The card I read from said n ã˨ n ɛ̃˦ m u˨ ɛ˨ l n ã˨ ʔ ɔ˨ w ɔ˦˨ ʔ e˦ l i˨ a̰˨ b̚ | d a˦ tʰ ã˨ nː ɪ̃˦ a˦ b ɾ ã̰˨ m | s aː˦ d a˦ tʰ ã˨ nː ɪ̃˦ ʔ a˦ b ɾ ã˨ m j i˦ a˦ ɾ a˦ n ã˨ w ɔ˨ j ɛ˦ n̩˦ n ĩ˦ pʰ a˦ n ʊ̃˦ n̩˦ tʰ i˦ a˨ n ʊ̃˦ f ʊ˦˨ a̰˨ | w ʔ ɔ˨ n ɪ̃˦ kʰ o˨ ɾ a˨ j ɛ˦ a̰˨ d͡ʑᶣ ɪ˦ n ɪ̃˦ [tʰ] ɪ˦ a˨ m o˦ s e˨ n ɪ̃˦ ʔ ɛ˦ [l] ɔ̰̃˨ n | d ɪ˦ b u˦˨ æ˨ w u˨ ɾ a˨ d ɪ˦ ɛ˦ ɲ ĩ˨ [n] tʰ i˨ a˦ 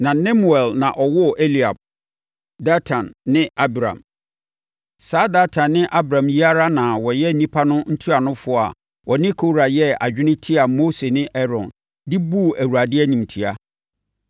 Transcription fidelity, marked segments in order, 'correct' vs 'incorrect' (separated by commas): correct, incorrect, incorrect